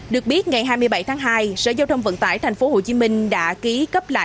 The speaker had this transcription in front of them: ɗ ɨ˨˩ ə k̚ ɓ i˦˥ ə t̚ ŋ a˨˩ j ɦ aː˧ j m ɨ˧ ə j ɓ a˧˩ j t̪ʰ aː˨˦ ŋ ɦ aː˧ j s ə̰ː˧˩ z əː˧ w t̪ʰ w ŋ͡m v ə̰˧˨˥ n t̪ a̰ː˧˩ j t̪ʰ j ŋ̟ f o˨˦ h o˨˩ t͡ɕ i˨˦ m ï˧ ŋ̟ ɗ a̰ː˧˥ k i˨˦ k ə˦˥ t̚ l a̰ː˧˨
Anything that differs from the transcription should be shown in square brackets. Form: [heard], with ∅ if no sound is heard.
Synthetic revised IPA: ɗ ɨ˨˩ ə k̚ ɓ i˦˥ ə t̚ ŋ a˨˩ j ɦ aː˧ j m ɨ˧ ə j ɓ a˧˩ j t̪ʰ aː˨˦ ŋ ɦ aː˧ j s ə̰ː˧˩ z [aː˧] w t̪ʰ w ŋ͡m v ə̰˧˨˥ n t̪ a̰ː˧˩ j t̪ʰ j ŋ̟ f o˨˦ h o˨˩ t͡ɕ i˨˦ m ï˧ ŋ̟ ɗ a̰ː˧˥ k i˨˦ k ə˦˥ [p̚] l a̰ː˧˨